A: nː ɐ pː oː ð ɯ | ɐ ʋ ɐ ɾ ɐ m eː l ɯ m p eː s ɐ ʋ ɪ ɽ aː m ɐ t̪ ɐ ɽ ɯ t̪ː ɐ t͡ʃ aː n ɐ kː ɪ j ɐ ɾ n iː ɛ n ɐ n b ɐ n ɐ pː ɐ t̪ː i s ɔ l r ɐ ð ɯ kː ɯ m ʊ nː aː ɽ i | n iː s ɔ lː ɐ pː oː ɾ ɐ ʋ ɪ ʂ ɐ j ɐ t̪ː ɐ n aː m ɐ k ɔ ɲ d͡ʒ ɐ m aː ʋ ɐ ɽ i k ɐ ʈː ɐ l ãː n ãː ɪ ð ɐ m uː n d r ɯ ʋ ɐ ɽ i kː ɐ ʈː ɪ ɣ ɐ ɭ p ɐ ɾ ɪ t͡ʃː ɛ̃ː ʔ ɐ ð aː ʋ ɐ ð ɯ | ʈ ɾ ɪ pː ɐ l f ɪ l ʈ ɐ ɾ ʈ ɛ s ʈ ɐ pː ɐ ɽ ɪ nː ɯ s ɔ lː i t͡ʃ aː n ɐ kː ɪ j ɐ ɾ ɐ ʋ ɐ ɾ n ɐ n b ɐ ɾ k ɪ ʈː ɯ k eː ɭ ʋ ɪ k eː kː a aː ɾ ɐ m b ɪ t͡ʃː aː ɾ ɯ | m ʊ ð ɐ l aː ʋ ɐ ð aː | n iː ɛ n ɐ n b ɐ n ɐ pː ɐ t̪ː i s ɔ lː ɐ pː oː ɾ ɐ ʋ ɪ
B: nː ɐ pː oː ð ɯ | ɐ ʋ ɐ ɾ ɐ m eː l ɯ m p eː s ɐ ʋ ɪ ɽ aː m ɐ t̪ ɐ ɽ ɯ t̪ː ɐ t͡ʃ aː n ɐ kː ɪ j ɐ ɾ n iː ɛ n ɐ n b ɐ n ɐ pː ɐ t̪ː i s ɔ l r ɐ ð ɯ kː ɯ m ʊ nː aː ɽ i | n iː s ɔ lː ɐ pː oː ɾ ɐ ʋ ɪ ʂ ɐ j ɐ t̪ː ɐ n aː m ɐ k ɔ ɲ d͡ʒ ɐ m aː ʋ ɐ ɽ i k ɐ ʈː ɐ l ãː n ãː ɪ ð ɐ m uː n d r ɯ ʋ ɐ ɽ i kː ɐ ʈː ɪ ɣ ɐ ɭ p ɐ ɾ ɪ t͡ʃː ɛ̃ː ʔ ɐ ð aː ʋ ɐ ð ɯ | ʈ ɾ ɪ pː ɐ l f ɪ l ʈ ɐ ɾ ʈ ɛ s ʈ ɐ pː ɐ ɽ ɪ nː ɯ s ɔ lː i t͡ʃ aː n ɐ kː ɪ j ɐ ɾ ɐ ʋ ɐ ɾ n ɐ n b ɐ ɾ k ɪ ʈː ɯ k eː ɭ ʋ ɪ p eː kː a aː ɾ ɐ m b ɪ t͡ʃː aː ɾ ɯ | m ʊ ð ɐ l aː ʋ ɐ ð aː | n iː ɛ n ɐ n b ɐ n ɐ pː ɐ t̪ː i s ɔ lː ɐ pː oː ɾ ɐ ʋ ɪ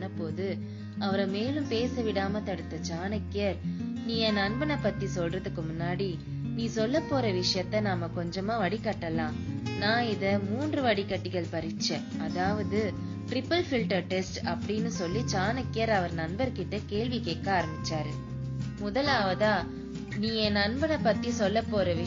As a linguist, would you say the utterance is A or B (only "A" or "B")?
A